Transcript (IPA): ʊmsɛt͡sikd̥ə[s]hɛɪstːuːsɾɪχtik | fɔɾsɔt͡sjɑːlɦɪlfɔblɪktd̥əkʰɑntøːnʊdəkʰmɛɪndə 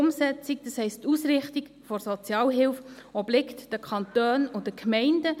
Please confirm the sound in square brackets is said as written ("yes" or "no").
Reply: yes